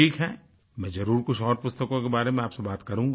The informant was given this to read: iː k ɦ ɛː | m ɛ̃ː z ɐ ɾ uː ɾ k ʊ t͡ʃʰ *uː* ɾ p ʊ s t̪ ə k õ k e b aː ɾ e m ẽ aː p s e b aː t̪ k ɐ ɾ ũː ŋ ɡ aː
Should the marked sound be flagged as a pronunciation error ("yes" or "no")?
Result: yes